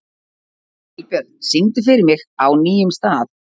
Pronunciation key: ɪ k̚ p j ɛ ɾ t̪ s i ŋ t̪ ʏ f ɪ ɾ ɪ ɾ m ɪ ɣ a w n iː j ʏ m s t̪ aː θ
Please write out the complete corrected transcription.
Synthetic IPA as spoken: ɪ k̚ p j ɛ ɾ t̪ s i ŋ t̪ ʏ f ɪ ɾ ɪ ɾ m ɪ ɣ a w n iː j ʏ m s t̪ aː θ

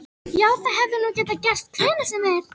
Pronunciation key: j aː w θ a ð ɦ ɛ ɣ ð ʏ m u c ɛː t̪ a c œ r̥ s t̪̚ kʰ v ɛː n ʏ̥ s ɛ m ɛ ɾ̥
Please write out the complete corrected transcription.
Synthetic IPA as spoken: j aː w θ a ð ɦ ɛ v ð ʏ n u c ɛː t̪ a c ɛ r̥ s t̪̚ kʰ v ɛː n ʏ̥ s ɛ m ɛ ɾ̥

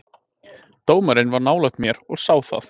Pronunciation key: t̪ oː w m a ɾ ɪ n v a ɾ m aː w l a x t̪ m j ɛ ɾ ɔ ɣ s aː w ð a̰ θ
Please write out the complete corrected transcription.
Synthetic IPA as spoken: t̪ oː w m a ɾ ɪ n v a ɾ n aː w l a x t̪ m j ɛ ɾ ɔ ɣ s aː w θ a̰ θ

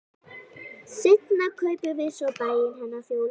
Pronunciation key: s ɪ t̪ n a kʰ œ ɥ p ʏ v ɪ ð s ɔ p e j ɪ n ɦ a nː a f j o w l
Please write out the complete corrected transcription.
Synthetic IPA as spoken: s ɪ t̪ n a kʰ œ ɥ p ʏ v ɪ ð s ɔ p a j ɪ n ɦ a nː a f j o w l

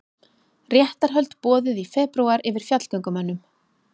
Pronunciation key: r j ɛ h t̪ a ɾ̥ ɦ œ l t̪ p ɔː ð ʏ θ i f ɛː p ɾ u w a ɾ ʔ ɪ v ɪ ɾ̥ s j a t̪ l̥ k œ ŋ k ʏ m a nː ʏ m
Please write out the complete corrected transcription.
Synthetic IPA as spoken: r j ɛ h t̪ a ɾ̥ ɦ œ l t̪ p ɔː ð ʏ ð i f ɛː p ɾ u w a ɾ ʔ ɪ v ɪ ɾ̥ f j a t̪ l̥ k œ ŋ k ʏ m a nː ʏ m

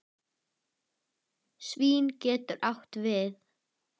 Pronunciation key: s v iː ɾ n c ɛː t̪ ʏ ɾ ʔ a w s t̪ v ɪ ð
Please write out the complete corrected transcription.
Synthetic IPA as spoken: s v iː n c ɛː t̪ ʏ ɾ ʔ a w h t̪ v ɪ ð

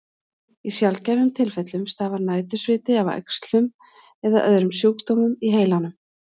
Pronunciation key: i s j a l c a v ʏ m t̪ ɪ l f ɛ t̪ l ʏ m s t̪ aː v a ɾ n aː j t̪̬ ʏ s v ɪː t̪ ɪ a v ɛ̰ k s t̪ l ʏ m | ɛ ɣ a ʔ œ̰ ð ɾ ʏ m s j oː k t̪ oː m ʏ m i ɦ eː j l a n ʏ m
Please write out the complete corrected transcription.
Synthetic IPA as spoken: i s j a l c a v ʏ m t̪ʰ ɪ l f ɛ t̪ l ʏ m s t̪ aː v a ɾ n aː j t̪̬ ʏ s v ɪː t̪ ɪ a v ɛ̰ k s t̪ l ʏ m | ɛ ð a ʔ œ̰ ð ɾ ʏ m s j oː k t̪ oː m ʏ m i ɦ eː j l a n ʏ m

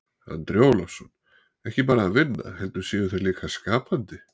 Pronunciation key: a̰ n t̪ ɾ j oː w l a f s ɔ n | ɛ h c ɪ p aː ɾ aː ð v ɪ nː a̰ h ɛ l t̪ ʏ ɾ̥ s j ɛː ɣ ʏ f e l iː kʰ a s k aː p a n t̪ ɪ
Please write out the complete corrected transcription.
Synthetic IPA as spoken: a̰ n t̪ ɾ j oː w l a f s ɔ n | ɛ h c ɪ p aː ɾ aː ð v ɪ nː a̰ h ɛ l t̪ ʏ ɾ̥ s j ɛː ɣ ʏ θ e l iː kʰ a s k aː p a n t̪ ɪ

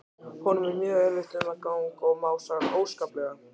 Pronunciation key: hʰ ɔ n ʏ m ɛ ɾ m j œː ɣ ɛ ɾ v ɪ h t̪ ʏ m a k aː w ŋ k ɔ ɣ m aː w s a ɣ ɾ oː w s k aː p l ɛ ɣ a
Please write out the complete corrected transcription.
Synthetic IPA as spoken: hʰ ɔ n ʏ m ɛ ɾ m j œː ɣ ɛ ɾ v ɪ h t̪ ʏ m a k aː w ŋ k ɔ ɣ m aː w s a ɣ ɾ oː w s k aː p l ɛ ɣ a

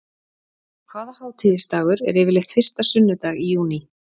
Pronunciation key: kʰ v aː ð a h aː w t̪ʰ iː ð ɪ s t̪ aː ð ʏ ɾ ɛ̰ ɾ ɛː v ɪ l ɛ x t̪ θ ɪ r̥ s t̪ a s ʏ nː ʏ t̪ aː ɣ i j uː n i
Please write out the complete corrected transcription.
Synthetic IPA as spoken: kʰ v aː ð a h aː w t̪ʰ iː ð ɪ s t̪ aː ɣ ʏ ɾ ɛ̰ ɾ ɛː v ɪ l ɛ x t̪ f ɪ r̥ s t̪ a s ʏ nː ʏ t̪ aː ɣ i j uː n i

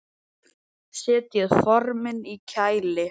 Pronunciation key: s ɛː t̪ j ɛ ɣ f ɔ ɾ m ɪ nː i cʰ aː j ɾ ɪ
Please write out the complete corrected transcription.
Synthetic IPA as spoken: s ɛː t̪ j ɛ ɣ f ɔ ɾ m ɪ n i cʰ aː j l ɪ

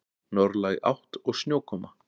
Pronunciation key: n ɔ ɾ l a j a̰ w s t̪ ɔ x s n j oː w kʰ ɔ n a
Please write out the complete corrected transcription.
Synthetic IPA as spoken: n ɔ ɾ l a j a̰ w h t̪ ɔ ɣ s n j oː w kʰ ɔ m a

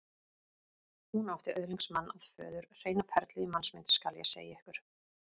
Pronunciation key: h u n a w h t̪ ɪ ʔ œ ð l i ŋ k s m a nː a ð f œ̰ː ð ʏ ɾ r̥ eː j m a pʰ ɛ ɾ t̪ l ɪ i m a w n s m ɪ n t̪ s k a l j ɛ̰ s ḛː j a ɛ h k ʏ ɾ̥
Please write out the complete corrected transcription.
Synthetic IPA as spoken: h u n a w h t̪ ɪ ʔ œ ð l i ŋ k s m a nː a ð f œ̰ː ð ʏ ɾ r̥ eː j n a pʰ ɛ ɾ t̪ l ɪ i m a n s m ɪ n t̪ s k a l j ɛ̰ s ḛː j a ɛ h k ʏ ɾ̥

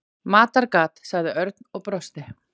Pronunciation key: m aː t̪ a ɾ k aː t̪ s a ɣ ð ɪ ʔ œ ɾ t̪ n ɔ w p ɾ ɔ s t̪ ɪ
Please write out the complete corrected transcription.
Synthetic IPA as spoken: m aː t̪ a ɾ k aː t̪ s a ɣ ð ɪ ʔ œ ɾ t̪ n ɔ ɣ p ɾ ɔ s t̪ ɪ

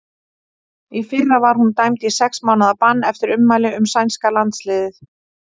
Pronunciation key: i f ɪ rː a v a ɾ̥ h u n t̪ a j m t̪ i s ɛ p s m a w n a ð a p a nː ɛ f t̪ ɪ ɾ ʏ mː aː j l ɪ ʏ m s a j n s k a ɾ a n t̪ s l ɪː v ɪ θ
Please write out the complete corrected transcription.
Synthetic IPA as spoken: i f ɪ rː a v a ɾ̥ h u n t̪ a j m t̪ i s ɛ k s m a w n a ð a p a nː ɛ f t̪ ɪ ɾ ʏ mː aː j l ɪ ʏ m s a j n s k a l a n t̪ s l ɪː ð ɪ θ

